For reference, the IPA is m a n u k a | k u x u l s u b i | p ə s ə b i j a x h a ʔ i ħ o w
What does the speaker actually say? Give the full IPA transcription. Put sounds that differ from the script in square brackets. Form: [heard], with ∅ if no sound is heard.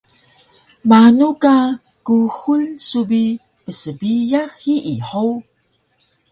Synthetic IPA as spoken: m a n u k a | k u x u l s u b i | p ə s ə b i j a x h [i] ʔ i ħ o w